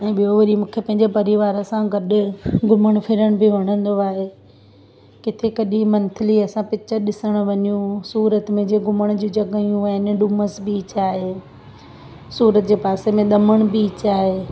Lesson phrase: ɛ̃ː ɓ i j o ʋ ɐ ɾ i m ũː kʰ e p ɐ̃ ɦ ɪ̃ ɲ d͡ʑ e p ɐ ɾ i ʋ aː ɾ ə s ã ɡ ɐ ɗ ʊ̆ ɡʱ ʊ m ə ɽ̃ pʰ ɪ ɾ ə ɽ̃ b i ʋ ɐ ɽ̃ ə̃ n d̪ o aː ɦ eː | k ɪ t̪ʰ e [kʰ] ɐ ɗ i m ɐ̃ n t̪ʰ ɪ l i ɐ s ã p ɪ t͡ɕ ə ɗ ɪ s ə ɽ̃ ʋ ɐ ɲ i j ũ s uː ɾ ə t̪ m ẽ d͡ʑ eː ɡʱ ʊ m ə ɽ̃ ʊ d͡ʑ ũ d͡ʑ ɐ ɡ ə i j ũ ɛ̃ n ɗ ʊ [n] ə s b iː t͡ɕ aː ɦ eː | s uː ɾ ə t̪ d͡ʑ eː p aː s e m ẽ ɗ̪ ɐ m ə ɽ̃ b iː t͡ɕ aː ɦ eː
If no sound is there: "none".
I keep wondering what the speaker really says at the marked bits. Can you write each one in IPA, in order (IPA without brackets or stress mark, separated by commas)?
k, m